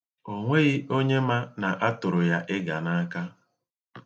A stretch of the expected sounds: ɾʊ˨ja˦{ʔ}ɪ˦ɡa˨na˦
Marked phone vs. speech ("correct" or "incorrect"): correct